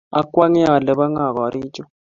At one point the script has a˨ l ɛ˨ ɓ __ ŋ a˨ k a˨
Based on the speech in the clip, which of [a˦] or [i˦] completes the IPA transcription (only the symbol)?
a˦